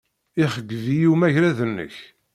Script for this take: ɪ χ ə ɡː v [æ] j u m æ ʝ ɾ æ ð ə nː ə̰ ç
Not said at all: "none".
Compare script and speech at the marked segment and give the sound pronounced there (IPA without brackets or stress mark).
i